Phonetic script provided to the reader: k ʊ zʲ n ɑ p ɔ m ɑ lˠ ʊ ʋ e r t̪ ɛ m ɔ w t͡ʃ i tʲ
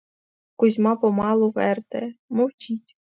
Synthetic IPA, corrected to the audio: k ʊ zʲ m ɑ p ɔ m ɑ lˠ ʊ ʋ ɛ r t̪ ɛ m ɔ w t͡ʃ i tʲ